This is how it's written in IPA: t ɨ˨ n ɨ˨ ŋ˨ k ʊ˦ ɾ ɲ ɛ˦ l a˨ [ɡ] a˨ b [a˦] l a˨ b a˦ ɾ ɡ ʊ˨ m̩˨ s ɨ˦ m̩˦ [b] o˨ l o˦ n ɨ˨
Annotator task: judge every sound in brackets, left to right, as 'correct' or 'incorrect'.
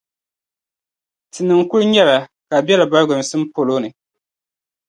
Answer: incorrect, incorrect, incorrect

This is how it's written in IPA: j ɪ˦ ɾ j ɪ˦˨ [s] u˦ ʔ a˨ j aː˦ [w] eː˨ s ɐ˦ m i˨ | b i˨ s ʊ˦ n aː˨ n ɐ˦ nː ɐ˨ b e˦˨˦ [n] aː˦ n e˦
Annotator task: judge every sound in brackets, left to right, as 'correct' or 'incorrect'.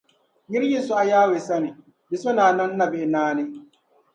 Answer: correct, correct, correct

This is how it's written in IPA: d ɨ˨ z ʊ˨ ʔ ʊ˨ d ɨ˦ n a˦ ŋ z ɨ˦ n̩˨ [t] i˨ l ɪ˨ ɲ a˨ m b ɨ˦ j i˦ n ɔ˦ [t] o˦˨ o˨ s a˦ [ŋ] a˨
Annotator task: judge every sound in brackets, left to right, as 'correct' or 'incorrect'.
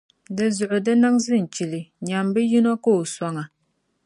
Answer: incorrect, incorrect, correct

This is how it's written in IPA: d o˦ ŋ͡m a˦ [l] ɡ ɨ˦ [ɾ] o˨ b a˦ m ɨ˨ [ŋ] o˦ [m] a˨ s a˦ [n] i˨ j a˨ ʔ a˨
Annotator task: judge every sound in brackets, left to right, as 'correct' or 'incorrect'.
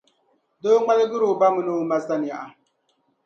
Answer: correct, correct, incorrect, correct, correct

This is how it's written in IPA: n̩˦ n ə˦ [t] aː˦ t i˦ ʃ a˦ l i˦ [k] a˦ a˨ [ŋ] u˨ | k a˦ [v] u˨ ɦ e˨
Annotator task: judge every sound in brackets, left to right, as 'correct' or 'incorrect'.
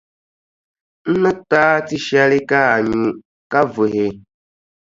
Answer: correct, correct, incorrect, correct

